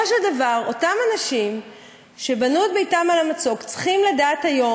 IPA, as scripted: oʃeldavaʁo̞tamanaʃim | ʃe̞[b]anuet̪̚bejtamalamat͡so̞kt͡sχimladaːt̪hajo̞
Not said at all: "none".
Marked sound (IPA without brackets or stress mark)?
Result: b